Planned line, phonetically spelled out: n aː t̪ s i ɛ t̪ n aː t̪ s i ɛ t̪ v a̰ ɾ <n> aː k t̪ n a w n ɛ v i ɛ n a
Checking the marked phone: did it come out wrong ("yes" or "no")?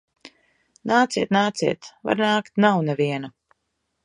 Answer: no